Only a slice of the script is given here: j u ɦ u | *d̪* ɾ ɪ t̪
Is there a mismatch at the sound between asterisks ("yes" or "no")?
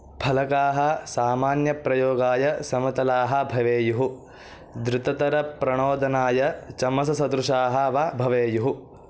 no